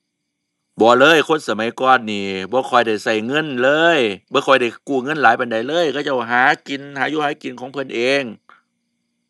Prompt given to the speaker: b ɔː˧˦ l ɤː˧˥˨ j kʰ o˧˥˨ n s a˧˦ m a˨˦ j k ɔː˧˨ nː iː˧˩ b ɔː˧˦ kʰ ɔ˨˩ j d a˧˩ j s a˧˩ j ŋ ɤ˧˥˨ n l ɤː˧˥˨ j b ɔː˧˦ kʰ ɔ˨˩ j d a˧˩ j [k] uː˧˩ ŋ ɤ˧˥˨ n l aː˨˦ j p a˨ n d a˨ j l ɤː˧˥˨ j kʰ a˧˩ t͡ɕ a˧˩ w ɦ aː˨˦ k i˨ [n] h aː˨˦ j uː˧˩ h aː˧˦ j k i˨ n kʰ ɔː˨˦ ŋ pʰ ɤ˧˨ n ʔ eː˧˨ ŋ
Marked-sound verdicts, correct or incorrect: correct, correct

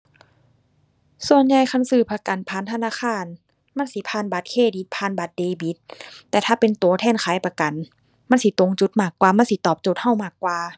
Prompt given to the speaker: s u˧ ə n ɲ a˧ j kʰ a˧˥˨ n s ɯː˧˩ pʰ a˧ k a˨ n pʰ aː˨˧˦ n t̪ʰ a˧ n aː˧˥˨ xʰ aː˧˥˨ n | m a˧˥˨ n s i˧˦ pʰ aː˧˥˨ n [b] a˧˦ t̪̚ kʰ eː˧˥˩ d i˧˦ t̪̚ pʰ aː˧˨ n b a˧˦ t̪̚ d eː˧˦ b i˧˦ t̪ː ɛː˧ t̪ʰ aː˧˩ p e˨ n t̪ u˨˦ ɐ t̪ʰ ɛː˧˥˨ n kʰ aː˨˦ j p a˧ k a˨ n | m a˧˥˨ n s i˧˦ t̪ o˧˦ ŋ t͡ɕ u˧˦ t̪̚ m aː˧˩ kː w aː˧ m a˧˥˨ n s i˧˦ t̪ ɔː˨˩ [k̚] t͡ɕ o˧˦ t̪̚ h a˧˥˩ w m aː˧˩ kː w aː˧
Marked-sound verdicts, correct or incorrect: correct, incorrect: p̚

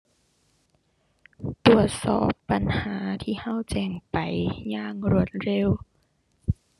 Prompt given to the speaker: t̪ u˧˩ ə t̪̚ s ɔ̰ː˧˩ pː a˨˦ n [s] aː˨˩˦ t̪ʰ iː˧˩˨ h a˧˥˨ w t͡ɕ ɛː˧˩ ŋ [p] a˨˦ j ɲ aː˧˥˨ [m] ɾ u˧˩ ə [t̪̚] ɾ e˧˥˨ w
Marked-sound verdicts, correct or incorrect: incorrect: h, correct, incorrect: ŋ, correct

